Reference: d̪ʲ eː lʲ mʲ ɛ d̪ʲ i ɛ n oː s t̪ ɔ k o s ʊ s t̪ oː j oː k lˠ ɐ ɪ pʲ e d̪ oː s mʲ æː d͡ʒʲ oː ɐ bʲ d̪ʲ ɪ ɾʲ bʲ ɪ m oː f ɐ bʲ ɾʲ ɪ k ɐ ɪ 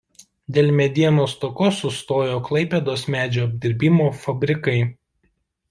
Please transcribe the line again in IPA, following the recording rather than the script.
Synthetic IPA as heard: d̪ʲ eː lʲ mʲ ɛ d̪ʲ i ɛ n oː s t̪ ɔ k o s ʊ s t̪ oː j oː k lˠ ɐ ɪ pʲ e d̪ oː s mʲ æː d͡ʒʲ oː ɐ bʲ d̪ʲ ɪ ɾʲ bʲ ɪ m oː f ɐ bʲ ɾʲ ɪ k ɐ ɪ